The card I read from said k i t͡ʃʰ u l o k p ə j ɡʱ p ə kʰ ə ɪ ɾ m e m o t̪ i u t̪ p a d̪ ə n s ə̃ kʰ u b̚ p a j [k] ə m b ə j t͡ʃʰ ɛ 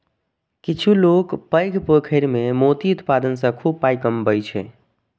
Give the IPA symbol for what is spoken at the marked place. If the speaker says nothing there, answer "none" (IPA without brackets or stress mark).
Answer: k